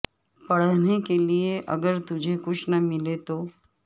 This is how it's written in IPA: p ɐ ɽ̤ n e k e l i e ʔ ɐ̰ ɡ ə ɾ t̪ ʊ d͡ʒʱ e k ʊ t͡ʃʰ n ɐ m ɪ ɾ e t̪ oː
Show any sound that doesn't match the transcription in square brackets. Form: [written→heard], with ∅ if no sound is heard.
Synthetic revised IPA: p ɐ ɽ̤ n e k e l i e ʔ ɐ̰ ɡ ə ɾ t̪ ʊ d͡ʒʱ e k ʊ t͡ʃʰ n ɐ m ɪ [ɾ→l] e t̪ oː